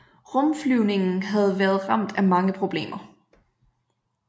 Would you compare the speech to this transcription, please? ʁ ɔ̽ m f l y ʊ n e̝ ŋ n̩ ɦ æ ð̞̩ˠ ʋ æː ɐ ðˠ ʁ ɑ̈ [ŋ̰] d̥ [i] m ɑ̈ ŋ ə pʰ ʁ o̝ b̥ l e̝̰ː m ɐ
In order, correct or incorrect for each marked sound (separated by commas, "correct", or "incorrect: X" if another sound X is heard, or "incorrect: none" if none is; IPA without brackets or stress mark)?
incorrect: m̰, incorrect: æ